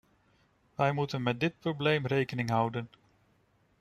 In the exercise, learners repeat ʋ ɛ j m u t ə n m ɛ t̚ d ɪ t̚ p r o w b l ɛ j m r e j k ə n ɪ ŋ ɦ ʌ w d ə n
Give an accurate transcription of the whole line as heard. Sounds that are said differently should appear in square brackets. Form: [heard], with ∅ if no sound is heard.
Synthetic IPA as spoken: ʋ ɛ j m u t ə n m ɛ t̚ d ɪ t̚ p r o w b l [e] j m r e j k ə n ɪ ŋ ɦ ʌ w d ə n